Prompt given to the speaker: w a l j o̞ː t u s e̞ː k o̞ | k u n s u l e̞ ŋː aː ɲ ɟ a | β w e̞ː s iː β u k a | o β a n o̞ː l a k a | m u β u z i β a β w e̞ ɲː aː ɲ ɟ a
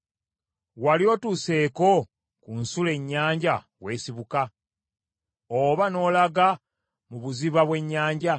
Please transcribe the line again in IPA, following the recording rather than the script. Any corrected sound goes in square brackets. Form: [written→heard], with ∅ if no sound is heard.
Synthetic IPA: w a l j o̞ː t u s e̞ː k o̞ | k u n s u l e̞ [ŋː→ɲː] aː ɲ ɟ a | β w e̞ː s [iː→i] β u k a | o β a n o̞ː l a [k→ɡ] a | m u β u z i β a β w e̞ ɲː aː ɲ ɟ a